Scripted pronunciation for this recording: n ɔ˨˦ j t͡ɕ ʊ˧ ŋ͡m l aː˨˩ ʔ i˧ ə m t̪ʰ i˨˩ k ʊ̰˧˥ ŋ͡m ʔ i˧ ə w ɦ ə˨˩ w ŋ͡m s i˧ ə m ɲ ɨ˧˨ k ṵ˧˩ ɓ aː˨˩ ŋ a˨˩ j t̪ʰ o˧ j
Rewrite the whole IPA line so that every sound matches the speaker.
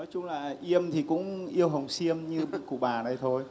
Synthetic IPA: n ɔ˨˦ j t͡ɕ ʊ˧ ŋ͡m l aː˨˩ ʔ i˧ ə m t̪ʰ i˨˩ k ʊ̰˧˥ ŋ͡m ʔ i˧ ə w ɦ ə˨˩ w ŋ͡m s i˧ ə m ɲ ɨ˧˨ k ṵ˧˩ ɓ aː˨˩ n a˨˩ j t̪ʰ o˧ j